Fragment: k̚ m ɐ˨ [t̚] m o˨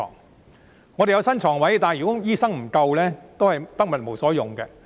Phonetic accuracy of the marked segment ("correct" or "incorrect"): correct